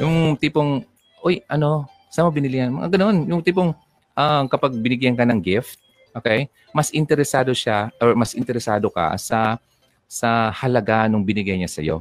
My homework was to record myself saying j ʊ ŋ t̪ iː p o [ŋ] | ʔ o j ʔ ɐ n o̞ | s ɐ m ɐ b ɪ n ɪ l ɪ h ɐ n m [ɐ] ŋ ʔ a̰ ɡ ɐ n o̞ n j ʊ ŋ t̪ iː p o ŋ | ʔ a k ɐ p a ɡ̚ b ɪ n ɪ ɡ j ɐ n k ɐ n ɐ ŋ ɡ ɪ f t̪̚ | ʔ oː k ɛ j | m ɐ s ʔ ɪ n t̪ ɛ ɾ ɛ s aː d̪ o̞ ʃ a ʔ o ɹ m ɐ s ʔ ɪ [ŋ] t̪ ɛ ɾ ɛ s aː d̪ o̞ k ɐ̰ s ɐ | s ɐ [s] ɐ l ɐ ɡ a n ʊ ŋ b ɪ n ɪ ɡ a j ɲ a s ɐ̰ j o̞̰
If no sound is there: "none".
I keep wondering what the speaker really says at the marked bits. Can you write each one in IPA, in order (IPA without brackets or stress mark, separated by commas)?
ŋ, ɐ, n, h